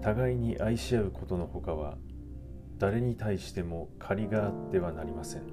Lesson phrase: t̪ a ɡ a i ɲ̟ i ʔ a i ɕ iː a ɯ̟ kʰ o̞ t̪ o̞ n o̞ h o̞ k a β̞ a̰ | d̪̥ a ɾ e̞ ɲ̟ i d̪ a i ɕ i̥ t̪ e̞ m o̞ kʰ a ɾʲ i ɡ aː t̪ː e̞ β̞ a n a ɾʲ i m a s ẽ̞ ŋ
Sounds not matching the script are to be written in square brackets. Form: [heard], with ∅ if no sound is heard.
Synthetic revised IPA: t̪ a ɡ a i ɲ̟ i ʔ a i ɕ [i] a ɯ̟ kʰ o̞ t̪ o̞ n o̞ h o̞ k a β̞ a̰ | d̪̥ a ɾ e̞ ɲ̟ i [t̪] a i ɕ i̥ t̪ e̞ m o̞ kʰ a ɾʲ i ɡ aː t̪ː e̞ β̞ a n a ɾʲ i m a s ẽ̞ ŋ